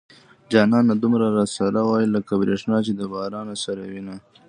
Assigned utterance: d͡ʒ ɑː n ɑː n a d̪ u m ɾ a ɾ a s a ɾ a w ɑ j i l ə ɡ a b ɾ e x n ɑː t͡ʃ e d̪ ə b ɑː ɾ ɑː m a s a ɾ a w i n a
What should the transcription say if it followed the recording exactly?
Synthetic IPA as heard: d͡ʒ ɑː n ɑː n a d̪ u m ɾ a ɾ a s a ɾ a w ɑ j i l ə k a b ɾ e ʂ n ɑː t͡ʃ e d̪ ə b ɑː ɾ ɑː n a s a ɾ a w i n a